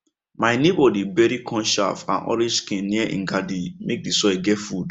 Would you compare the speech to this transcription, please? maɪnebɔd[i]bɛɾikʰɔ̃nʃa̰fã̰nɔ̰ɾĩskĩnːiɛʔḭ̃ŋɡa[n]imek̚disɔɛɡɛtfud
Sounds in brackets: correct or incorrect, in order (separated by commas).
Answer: correct, incorrect